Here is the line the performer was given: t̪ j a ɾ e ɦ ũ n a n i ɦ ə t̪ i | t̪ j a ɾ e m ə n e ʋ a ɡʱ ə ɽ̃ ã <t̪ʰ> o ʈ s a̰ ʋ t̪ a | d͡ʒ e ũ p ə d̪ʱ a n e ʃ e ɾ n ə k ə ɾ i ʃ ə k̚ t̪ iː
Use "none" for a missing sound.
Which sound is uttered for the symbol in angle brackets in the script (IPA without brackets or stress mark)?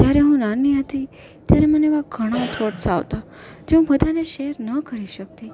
t̪ʰ